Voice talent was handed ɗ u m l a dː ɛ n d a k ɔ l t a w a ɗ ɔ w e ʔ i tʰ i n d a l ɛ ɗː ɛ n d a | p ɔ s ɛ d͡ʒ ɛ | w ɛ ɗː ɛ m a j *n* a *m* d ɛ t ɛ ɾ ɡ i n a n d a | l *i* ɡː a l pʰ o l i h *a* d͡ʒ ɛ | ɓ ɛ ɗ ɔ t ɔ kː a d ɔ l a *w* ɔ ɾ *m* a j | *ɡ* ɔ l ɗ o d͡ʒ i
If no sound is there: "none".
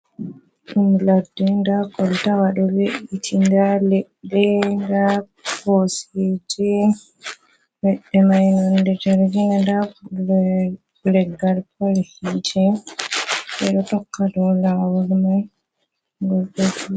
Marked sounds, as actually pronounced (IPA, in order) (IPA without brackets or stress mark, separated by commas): n, n, ɛ, i, w, m, ɡ